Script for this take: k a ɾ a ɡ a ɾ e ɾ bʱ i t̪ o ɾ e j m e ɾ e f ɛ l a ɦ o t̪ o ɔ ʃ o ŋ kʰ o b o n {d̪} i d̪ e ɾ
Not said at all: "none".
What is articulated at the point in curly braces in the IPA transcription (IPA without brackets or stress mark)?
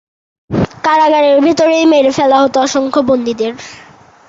d̪